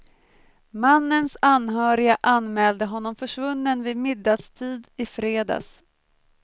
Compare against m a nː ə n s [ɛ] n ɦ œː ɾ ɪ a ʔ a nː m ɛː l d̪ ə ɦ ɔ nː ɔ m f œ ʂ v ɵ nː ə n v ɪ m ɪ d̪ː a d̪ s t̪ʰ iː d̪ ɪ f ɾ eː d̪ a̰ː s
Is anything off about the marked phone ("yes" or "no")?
yes